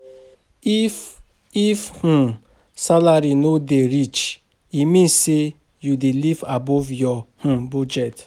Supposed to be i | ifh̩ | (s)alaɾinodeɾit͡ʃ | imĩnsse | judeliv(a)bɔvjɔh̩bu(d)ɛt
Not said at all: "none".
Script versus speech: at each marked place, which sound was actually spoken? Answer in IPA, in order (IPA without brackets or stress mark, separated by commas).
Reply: s, a, d͡ʒ